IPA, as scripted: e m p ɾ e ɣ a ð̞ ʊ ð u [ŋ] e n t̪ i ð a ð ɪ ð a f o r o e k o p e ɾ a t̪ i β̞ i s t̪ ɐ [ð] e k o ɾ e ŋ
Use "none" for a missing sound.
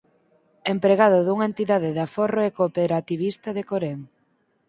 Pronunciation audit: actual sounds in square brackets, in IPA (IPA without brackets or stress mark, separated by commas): ŋ, ð